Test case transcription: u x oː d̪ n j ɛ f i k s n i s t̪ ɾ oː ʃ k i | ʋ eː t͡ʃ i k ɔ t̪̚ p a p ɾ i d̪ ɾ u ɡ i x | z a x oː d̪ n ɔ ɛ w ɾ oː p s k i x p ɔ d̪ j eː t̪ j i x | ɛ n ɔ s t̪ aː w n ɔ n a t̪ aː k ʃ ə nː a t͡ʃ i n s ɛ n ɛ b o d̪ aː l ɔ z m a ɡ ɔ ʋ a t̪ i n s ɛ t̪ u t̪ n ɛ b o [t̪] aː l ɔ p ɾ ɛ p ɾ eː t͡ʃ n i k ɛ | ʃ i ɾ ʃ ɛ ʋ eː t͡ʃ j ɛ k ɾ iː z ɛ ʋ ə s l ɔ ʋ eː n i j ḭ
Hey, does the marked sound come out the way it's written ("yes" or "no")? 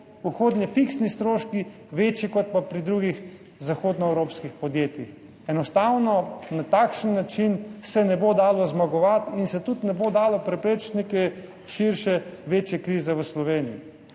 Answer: no